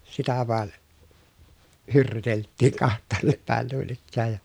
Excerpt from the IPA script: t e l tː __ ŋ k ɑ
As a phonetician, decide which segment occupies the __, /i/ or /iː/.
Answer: iː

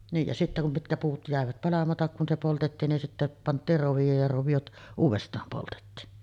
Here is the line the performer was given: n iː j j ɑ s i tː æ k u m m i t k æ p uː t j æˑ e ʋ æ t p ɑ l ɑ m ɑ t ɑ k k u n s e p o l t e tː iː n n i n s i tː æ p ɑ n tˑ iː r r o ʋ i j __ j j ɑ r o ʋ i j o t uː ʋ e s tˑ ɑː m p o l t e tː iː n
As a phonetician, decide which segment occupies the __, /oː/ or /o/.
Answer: oː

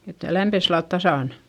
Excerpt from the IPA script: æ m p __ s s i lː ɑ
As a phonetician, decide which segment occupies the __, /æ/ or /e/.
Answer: e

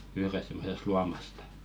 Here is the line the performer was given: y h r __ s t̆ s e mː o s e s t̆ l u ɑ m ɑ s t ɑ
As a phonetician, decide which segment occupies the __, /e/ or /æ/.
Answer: e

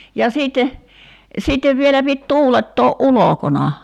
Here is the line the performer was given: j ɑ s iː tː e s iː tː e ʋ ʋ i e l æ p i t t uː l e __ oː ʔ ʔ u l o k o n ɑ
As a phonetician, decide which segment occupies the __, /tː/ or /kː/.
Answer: tː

